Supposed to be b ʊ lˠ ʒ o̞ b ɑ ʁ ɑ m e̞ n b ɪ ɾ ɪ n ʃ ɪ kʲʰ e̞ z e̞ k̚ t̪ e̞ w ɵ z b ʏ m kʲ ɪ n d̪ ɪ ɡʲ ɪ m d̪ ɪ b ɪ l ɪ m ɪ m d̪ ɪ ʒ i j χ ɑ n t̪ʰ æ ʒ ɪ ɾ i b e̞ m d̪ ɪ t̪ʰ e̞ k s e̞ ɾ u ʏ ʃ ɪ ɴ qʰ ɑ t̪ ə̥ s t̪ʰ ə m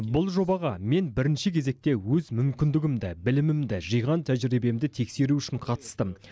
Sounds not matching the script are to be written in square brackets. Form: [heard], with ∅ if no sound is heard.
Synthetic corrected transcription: b ʊ lˠ ʒ o̞ b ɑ ʁ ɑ m e̞ n b ɪ ɾ ɪ n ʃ ɪ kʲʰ e̞ z e̞ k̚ t̪ e̞ w ɵ z [m] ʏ m kʲ ɪ n d̪ ɪ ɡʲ ɪ m d̪ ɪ b ɪ l ɪ m ɪ m d̪ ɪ ʒ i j [ʁ] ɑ n t̪ʰ æ ʒ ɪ ɾ i b e̞ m d̪ ɪ t̪ʰ e̞ k s e̞ ɾ u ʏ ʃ ɪ ɴ qʰ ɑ t̪ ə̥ s [t̪] ə m